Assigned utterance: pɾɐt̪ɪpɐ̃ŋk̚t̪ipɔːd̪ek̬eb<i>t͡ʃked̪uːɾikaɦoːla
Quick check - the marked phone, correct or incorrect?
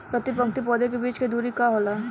incorrect